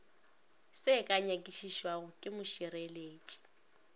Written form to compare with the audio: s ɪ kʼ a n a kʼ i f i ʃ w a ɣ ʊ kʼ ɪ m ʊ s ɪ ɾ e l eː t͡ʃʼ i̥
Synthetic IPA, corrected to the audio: s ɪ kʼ a ɲ a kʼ i ʃ i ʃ w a ɣ ʊ kʼ ɪ m ʊ ʃ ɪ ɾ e l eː t͡ʃʼ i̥